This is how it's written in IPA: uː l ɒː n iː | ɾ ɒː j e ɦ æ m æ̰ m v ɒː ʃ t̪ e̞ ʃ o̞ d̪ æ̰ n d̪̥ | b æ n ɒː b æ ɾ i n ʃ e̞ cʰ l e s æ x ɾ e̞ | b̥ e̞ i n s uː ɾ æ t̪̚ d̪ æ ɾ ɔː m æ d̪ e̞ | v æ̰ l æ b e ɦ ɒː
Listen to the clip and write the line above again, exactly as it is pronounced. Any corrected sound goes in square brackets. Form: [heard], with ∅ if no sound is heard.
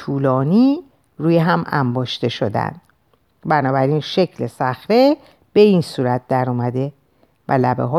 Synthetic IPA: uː l ɒː n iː | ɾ [uː] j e ɦ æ m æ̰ m [b] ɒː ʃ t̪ e̞ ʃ o̞ d̪ æ̰ n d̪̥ | b æ n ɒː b æ ɾ i n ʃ e̞ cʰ l e s æ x ɾ e̞ | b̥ e̞ i n s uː ɾ æ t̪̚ d̪ æ ɾ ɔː m æ d̪ e̞ | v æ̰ l æ b e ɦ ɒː